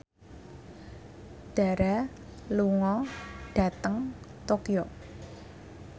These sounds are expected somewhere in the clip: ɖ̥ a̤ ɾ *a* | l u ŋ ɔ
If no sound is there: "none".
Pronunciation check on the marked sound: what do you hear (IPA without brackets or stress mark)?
a